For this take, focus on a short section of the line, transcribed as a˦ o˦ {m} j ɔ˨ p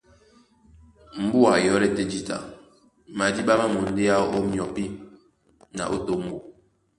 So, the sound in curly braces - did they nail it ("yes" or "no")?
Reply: yes